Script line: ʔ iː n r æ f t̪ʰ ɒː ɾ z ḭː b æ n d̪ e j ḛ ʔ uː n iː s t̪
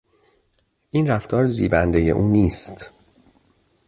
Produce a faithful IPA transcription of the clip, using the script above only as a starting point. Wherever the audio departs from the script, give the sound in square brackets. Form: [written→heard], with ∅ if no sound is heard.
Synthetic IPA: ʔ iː n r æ f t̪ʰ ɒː ɾ z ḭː b æ n d̪ e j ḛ ʔ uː n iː s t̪